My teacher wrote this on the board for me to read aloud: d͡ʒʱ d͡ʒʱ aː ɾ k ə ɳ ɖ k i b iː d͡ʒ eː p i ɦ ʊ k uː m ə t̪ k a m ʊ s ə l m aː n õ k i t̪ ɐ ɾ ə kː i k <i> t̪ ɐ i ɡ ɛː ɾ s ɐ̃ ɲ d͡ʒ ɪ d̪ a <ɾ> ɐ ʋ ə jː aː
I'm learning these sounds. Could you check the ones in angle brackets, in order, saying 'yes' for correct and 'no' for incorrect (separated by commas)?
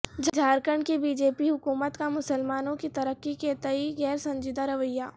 no, yes